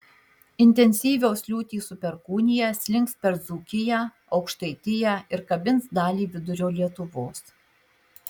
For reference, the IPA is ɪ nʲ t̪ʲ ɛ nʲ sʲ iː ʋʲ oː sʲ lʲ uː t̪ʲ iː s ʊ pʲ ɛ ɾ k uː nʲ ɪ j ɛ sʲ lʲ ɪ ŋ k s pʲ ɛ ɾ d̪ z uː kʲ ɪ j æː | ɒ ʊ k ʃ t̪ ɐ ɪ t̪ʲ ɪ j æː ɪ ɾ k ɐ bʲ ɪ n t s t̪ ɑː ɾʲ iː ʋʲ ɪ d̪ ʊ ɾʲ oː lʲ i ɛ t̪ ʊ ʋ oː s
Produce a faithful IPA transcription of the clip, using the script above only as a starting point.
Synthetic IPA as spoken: ɪ nʲ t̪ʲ ɛ nʲ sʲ iː ʋʲ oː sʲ lʲ uː t̪ʲ iː s ʊ pʲ ɛ ɾ k uː nʲ ɪ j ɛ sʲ lʲ ɪ ŋ k s pʲ ɛ ɾ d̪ z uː kʲ ɪ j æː | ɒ ʊ k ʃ t̪ ɐ ɪ t̪ʲ ɪ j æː ɪ ɾ k ɐ bʲ ɪ n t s d̪ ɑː lʲ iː ʋʲ ɪ d̪ ʊ ɾʲ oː lʲ i ɛ t̪ ʊ ʋ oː s